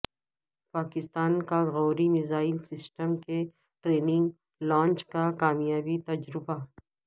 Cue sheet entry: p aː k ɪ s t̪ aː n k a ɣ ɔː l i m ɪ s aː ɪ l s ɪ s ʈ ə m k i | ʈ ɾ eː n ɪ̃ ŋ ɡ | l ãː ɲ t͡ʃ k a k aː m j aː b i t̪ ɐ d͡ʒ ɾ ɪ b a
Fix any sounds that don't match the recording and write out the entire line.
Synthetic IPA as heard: p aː k ɪ s t̪ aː n k a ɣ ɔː ɾ i m ɪ z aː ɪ l s ɪ s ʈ ə m k e | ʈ ɾ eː n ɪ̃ ŋ ɡ | l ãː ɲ t͡ʃ k a k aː m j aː b i t̪ ɐ d͡ʒ ɾ ɪ b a